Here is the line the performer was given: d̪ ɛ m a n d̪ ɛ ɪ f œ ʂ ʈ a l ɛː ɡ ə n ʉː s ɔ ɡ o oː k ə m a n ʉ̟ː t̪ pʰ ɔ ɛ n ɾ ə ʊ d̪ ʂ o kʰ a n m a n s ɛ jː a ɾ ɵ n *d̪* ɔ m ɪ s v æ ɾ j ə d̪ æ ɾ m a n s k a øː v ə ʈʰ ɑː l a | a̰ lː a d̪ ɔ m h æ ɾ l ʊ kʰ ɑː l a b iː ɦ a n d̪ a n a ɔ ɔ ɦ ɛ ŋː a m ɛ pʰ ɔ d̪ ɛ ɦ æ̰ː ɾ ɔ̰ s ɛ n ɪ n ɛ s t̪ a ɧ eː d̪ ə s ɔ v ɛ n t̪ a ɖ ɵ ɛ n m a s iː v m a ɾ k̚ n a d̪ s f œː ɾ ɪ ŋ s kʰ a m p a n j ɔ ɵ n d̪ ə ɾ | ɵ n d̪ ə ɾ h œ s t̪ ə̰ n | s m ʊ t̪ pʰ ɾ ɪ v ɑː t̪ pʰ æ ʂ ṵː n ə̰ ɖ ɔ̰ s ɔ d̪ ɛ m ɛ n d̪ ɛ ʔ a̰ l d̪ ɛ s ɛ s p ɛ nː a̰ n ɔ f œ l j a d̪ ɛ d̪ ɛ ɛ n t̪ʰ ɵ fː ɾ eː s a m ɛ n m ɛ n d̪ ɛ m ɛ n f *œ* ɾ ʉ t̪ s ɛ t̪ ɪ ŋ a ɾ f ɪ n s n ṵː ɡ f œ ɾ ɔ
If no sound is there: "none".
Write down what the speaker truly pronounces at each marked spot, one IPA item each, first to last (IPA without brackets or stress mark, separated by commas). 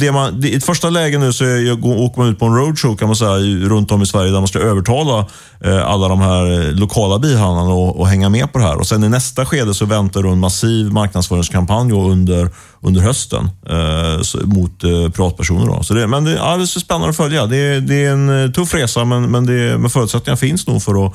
t̪, œː